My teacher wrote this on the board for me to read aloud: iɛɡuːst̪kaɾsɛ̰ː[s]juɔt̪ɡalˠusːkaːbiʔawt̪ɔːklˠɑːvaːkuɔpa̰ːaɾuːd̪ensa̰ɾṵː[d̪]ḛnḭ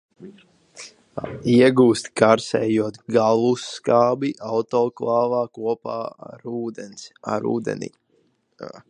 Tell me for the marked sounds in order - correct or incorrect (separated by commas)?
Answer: incorrect, correct